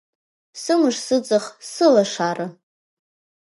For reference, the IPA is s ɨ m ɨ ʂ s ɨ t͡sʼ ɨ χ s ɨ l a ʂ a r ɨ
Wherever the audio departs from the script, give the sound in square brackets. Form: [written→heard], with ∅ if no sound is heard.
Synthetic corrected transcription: s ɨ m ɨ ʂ s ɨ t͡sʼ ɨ χ s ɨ l a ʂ a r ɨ

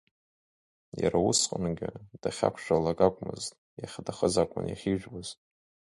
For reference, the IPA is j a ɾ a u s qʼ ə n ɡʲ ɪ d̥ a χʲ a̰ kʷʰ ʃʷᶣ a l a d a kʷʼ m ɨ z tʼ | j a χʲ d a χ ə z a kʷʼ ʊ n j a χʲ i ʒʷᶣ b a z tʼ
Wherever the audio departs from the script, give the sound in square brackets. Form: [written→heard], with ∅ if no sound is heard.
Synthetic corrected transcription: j a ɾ a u s qʼ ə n ɡʲ ɪ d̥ a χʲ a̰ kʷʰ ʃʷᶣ a l a [d→ɡ] a kʷʼ m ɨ z tʼ | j a χʲ d a χ ə z a kʷʼ ʊ n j a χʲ i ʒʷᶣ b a z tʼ

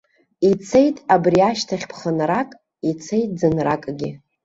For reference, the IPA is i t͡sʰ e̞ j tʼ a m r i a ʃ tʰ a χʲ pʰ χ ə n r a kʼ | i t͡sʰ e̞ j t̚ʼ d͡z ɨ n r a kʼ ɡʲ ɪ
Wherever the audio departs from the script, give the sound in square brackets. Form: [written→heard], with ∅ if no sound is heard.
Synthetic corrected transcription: i t͡sʰ e̞ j tʼ a [m→b] r i a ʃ tʰ a χʲ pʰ χ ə n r a kʼ | i t͡sʰ e̞ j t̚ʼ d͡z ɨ n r a kʼ ɡʲ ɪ

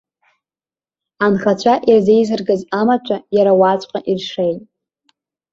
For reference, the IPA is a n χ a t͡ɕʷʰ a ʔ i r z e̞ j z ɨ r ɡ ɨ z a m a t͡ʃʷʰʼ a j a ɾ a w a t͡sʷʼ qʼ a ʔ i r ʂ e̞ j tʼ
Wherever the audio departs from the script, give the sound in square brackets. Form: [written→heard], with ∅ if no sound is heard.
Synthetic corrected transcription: a n χ a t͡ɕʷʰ a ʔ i r z e̞ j z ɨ r ɡ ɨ z a m a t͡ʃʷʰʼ a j a ɾ a w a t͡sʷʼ qʼ a ʔ i r ʂ e̞ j tʼ

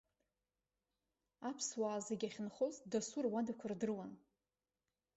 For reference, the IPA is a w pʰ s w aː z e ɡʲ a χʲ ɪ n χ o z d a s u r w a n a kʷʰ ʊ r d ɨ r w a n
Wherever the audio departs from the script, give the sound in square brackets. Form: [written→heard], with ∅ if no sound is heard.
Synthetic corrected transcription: a [w→∅] pʰ s w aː z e ɡʲ a χʲ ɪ n χ o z d a s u r w a [n→d] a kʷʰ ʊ r d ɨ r w a n

